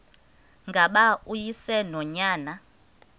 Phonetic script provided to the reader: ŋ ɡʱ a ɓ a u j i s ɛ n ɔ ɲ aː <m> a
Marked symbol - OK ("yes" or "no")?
no